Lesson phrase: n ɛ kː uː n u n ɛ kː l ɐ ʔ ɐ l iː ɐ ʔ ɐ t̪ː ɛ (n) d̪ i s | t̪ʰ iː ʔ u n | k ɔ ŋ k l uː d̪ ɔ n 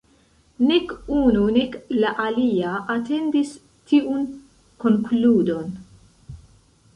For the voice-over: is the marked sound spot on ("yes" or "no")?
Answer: yes